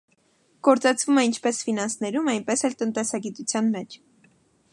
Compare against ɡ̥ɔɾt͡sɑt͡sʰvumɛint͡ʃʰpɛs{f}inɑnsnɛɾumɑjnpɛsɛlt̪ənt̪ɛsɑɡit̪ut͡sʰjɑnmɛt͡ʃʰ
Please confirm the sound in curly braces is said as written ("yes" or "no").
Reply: yes